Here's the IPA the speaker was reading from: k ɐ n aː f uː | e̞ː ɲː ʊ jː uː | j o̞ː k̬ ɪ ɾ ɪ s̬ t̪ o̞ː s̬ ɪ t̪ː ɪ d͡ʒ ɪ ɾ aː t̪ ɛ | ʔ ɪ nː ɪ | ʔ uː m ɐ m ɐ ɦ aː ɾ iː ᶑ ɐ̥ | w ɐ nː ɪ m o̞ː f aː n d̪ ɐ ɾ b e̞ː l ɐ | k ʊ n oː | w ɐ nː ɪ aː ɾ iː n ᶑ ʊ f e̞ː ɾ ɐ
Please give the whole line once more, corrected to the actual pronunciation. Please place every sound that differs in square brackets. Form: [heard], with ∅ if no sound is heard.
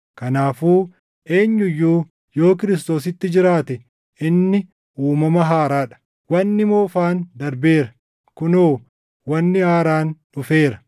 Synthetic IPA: k ɐ n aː f uː | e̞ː ɲː ʊ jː uː | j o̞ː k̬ ɪ ɾ ɪ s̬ t̪ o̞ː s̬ ɪ t̪ː ɪ d͡ʒ ɪ ɾ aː t̪ ɛ | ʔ ɪ nː ɪ | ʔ uː m ɐ m ɐ ɦ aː ɾ [aː] ᶑ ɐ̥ | w ɐ nː ɪ m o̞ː f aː n d̪ ɐ ɾ b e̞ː [ɾ] ɐ | k ʊ n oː | w ɐ nː ɪ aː ɾ [aː] n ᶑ ʊ f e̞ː ɾ ɐ